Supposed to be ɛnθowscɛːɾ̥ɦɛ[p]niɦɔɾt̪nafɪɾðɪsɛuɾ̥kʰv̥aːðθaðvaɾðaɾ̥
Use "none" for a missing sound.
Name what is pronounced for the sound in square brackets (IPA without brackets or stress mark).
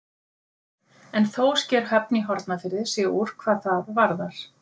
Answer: p